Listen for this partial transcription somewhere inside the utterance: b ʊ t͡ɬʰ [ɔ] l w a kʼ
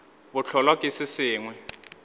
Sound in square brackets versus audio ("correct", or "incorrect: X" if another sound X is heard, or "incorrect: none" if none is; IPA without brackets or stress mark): correct